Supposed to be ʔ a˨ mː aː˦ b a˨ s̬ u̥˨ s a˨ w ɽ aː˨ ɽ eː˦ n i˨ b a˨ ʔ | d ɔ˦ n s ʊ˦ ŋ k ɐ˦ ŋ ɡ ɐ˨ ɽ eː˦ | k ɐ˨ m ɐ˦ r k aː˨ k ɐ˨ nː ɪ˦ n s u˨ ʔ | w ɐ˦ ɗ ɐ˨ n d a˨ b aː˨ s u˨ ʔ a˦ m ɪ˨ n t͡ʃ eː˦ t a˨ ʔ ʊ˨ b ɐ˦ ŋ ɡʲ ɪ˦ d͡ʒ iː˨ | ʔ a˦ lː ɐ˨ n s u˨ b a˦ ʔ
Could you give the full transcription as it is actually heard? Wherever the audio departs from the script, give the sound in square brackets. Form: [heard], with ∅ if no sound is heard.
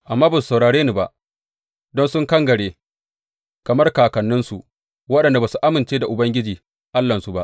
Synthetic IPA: ʔ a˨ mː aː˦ b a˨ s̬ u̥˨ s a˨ w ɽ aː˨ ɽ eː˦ n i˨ b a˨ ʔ | d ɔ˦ n s ʊ˦ ŋ k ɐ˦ ŋ ɡ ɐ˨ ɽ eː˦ | k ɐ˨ m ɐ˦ r k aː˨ k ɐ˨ nː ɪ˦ n s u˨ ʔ | w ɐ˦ ɗ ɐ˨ n d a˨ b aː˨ s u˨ ʔ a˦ m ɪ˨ n t͡ʃ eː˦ [d] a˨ ʔ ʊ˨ b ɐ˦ ŋ ɡʲ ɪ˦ d͡ʒ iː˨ | ʔ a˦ lː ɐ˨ n s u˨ b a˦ ʔ